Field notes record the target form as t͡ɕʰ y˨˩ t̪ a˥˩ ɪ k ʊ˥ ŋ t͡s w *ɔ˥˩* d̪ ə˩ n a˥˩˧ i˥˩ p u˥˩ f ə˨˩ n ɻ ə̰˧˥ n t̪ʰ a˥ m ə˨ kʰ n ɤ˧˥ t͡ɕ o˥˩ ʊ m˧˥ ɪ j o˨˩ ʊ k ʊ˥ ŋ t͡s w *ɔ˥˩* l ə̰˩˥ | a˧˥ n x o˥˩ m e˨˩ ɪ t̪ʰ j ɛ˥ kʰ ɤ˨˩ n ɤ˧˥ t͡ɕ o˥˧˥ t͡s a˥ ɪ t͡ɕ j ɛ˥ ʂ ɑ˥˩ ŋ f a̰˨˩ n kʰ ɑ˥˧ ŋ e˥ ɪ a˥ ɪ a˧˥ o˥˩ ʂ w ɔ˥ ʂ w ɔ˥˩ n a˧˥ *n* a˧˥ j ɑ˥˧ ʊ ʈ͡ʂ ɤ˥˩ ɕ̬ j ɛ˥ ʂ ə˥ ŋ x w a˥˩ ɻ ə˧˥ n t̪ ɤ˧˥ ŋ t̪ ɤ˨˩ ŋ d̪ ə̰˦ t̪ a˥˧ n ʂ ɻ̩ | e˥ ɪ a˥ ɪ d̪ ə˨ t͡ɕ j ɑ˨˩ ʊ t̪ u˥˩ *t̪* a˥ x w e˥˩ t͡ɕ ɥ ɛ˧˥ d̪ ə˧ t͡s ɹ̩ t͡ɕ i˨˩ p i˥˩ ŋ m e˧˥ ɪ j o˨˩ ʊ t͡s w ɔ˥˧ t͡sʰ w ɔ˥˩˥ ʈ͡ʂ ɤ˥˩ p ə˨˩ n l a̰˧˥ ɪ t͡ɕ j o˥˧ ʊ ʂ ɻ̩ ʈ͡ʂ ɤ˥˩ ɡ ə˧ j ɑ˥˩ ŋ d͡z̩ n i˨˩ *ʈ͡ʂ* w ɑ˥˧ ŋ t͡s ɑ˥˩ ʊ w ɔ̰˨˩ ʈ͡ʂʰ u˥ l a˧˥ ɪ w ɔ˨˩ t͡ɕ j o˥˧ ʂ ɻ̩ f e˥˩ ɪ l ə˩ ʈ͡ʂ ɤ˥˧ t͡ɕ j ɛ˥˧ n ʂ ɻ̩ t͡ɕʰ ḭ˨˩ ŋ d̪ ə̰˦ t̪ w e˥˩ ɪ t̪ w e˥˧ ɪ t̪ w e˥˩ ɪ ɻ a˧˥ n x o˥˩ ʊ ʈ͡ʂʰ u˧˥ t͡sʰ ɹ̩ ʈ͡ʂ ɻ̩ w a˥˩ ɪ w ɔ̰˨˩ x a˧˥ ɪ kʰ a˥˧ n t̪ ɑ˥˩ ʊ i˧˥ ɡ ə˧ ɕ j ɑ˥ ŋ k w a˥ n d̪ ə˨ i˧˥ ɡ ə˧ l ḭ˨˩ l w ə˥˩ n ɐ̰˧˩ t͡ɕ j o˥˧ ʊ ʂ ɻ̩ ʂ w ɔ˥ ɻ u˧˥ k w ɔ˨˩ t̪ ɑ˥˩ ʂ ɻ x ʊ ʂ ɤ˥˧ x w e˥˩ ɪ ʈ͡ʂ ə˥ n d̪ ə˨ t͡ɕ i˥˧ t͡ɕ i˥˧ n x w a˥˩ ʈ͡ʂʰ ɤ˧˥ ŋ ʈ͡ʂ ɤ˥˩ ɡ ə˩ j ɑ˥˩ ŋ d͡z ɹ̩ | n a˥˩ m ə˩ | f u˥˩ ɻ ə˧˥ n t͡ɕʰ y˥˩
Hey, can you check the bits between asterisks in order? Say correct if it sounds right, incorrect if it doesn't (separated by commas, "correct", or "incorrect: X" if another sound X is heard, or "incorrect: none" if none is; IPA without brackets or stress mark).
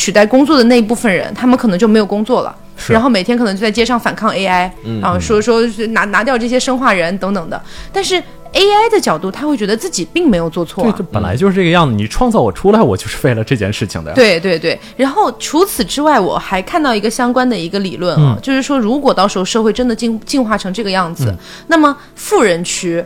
correct, correct, correct, incorrect: t̪ʰ, incorrect: ʈ͡ʂʰ